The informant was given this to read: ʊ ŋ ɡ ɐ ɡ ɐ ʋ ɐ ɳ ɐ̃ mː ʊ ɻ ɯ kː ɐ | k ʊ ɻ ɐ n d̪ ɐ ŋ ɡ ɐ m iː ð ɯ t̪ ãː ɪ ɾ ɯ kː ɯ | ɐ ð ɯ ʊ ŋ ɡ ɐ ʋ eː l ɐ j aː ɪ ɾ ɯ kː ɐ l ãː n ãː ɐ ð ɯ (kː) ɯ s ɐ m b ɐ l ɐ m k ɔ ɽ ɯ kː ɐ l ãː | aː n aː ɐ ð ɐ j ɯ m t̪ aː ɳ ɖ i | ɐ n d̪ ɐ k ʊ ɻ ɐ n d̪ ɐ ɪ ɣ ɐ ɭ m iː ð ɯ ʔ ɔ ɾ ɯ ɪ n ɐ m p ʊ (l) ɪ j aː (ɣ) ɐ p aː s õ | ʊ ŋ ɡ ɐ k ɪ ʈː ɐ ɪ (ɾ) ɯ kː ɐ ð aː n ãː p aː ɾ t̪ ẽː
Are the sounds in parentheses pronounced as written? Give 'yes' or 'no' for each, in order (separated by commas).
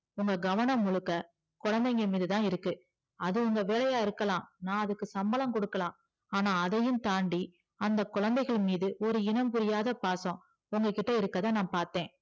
yes, no, no, yes